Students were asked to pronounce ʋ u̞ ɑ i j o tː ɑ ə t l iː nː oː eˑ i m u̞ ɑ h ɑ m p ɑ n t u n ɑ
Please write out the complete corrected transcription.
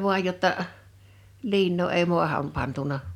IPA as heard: ʋ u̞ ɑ j j o tː ɑ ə ʔ l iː nː oː eˑ i m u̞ ɑ h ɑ m p ɑ n t u n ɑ